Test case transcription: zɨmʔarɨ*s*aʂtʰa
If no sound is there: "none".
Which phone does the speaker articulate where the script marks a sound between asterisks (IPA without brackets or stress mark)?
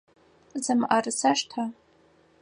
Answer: s